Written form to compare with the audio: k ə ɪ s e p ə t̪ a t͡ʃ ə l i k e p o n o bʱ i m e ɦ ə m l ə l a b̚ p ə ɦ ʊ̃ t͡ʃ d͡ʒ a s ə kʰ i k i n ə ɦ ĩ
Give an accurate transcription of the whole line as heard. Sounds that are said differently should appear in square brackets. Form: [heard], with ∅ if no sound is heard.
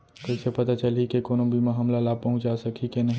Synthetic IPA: k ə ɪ s e p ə t̪ a t͡ʃ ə l i k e [k] o n o bʱ i m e ɦ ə m l [a] l a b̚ p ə ɦ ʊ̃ t͡ʃ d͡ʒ a s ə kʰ i k [e] n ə ɦ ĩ